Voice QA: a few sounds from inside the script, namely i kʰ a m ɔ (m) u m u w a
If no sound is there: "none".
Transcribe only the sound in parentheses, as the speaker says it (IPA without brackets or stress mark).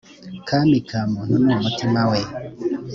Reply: n